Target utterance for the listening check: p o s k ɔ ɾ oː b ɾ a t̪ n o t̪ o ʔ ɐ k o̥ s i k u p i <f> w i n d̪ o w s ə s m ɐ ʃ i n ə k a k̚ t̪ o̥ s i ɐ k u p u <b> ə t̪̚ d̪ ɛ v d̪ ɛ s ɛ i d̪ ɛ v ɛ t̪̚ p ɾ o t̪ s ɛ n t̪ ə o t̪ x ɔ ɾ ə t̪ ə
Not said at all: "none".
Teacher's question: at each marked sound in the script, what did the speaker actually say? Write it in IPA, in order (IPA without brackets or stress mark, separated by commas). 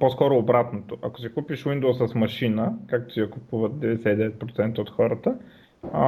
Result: ʃ, v